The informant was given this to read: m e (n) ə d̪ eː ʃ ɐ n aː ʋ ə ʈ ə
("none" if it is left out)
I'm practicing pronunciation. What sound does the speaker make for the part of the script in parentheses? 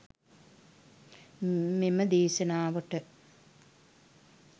m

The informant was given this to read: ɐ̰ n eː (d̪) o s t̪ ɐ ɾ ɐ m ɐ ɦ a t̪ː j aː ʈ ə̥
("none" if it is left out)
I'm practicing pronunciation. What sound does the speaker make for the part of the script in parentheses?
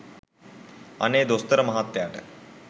d̪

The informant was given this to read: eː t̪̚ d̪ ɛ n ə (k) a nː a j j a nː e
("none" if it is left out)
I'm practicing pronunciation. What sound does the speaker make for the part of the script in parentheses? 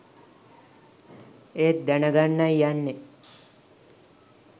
ɡ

